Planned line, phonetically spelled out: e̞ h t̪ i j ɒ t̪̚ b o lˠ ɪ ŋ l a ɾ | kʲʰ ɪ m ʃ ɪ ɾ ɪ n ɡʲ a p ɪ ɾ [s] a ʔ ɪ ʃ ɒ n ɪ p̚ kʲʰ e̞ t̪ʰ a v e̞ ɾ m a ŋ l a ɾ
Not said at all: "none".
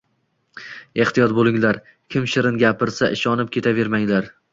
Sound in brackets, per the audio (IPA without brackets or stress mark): s